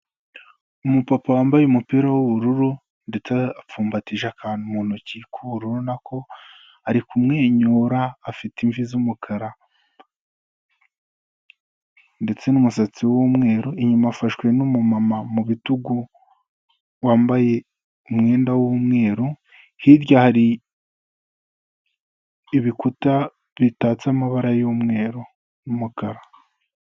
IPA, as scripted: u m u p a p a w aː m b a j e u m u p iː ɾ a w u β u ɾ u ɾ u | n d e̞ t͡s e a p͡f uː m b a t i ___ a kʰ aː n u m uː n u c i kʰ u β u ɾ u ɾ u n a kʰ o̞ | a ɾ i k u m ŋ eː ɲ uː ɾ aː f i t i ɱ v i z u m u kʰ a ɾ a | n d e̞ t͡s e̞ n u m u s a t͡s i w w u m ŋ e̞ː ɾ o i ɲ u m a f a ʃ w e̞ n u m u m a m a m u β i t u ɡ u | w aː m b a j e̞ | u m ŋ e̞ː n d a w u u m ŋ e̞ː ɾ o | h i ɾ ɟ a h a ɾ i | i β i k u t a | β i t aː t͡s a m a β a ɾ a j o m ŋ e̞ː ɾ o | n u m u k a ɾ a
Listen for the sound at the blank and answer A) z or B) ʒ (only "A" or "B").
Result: B